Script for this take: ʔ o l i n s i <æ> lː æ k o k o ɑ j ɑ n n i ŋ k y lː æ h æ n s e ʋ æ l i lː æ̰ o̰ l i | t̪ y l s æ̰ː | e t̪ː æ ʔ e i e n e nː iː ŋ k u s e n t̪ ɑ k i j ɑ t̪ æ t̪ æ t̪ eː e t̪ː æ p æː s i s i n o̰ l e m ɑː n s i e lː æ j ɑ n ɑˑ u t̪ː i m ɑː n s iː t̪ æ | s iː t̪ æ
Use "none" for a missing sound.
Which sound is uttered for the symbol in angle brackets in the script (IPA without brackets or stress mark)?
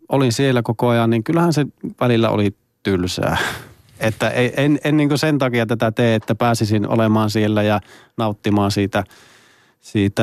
e